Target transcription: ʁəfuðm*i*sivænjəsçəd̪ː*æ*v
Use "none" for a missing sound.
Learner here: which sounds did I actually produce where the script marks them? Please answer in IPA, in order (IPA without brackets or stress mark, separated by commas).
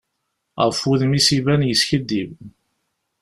i, i